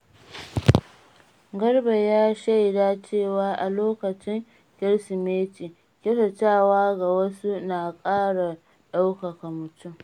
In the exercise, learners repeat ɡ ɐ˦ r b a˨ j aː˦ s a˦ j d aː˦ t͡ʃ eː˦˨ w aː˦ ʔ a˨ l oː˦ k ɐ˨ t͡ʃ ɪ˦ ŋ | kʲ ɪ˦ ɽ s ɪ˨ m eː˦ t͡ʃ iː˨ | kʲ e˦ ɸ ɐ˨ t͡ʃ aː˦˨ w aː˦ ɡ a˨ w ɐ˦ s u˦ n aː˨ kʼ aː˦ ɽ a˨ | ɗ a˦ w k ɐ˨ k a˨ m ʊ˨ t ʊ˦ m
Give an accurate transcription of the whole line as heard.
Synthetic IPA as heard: ɡ ɐ˦ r b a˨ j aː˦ ʃ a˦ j d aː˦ t͡ʃ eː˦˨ w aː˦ ʔ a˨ l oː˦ k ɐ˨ t͡ʃ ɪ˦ ŋ | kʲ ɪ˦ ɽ s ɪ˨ m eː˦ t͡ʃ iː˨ | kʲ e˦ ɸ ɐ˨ t͡ʃ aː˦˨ w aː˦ ɡ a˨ w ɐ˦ s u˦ n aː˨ kʼ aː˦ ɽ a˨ | ɗ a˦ w k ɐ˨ k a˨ m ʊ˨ t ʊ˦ m

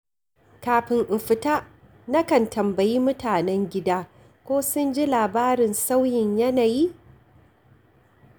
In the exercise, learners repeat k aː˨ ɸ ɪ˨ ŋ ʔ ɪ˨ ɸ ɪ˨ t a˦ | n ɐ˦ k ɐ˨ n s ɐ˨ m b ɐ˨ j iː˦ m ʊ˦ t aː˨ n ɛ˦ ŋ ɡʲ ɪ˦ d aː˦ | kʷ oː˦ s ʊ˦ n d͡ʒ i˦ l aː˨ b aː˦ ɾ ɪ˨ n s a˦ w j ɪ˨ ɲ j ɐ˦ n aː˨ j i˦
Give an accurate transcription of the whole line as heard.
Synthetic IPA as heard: k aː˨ ɸ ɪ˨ ŋ ʔ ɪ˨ ɸ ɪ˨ t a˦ | n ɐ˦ k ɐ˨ n t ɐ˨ m b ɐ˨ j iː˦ m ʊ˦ t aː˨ n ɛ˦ ŋ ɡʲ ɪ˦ d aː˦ | kʷ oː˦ s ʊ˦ n d͡ʒ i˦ l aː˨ b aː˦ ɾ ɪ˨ n s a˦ w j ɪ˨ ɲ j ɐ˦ n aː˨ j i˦

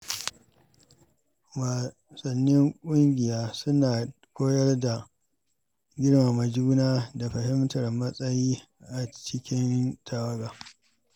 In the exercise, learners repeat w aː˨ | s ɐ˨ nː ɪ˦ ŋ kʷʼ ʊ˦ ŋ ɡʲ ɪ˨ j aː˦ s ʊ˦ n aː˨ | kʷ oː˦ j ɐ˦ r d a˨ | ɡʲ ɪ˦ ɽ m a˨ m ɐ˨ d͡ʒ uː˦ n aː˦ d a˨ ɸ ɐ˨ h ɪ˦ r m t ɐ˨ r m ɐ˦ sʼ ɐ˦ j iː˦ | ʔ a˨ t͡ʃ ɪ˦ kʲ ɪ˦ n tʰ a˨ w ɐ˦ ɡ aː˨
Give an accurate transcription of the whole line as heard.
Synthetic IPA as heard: w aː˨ | s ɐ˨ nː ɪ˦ ŋ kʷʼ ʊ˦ ŋ ɡʲ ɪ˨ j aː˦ s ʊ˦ n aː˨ | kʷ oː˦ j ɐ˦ r d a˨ | ɡʲ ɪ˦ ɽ m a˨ m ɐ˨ d͡ʒ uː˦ n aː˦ d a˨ ɸ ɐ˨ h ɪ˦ m t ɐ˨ r m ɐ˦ sʼ ɐ˦ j iː˦ | ʔ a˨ t͡ʃ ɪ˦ kʲ ɪ˦ n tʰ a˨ w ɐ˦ ɡ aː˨

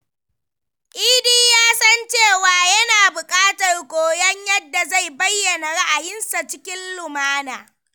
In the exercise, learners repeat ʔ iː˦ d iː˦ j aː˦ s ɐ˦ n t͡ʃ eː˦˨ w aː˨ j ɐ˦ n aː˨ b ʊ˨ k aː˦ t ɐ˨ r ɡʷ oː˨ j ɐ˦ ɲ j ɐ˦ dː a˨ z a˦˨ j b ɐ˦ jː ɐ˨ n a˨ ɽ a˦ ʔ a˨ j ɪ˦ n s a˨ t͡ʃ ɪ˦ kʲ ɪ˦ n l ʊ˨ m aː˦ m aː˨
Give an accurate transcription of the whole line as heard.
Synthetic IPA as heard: ʔ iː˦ d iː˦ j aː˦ s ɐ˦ n t͡ʃ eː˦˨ w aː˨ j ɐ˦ n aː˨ b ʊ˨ kʼ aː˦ t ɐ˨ r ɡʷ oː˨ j ɐ˦ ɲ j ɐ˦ dː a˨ z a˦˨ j b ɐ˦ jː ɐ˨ n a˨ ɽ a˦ ʔ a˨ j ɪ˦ n s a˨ t͡ʃ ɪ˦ kʲ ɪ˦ n l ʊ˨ m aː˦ n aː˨

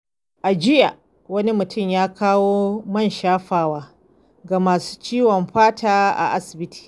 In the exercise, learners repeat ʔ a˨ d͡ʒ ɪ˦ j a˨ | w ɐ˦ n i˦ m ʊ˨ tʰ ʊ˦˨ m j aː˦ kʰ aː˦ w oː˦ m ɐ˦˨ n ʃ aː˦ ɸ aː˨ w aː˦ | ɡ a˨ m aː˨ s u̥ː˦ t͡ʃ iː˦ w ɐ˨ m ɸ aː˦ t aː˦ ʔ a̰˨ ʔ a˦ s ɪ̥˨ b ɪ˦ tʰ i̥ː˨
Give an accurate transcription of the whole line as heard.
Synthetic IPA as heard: ʔ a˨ d͡ʒ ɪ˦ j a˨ | w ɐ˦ n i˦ m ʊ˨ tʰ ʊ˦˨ m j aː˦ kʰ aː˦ w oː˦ m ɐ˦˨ n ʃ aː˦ ɸ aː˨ w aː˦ | ɡ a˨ m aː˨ s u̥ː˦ t͡ʃ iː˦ w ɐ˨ m ɸ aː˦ t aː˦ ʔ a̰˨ ʔ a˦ s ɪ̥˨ b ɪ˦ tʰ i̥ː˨

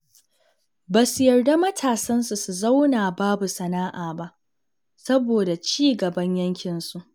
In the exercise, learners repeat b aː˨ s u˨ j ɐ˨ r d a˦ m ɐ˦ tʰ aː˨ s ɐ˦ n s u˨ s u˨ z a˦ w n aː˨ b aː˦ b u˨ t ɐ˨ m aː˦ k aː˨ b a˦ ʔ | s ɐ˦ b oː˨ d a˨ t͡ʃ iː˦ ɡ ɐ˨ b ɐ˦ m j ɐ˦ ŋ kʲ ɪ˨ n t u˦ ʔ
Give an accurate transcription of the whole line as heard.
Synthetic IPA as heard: b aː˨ s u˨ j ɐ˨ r d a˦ m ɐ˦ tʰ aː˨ s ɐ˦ n s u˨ s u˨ z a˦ w n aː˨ b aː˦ b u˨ s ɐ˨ n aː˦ ʔ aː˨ b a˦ ʔ | s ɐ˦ b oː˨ d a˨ t͡ʃ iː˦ ɡ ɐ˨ b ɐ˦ ɲ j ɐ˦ ŋ kʲ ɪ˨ n s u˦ ʔ

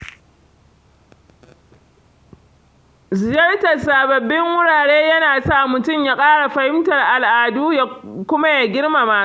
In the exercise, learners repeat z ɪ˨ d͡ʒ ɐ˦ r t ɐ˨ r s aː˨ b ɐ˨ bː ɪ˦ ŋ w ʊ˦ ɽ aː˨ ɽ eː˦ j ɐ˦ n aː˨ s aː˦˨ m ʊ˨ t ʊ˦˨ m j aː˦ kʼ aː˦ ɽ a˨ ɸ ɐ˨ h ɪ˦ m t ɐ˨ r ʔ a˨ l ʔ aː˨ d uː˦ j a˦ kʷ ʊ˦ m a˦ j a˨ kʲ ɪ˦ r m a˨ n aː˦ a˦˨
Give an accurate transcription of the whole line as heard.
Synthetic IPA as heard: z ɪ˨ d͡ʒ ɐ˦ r t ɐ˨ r s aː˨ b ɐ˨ bː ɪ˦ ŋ w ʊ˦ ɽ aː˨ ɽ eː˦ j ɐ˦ n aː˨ s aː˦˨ m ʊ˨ t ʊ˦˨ m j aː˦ kʼ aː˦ ɽ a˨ ɸ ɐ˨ h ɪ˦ m t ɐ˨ r ʔ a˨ l ʔ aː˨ d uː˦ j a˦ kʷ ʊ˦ m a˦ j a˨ ɡʲ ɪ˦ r m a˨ m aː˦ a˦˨

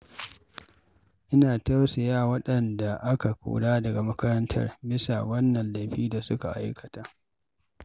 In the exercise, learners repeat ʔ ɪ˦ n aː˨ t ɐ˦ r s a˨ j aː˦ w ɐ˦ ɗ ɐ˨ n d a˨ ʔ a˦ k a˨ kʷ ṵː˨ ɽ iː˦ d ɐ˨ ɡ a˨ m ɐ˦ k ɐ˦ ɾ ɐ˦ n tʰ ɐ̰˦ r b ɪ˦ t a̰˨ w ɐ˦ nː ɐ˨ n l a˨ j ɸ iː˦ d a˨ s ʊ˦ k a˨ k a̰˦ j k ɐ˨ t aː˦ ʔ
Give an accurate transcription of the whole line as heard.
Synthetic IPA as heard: ʔ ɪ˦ n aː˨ t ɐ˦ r s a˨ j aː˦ w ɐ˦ ɗ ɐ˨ n d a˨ ʔ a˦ k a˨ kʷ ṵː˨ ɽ aː˦ d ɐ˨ ɡ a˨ m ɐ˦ k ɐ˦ ɾ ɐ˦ n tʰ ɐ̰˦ r b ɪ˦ s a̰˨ w ɐ˦ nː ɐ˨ n l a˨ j ɸ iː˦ d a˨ s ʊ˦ k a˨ ʔ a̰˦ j k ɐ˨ t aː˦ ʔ

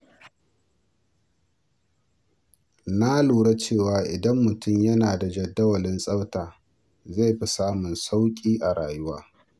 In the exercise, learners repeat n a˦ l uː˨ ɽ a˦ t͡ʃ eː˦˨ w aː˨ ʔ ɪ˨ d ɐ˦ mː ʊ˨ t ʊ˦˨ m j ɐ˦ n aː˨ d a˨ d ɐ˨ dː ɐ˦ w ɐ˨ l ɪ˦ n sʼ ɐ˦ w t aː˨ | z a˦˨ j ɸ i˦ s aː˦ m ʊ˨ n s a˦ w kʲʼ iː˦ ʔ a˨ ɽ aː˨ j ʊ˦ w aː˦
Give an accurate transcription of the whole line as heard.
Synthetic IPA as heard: n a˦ l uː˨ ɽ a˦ t͡ʃ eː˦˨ w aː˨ ʔ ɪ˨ d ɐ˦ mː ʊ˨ t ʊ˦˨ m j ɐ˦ n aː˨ d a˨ d͡ʒ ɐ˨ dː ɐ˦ w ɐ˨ l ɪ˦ n sʼ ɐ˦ w t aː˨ | z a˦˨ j ɸ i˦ s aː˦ m ʊ˨ n s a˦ w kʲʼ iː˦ ʔ a˨ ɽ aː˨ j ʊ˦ w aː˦

